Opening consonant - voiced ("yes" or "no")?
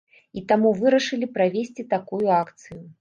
no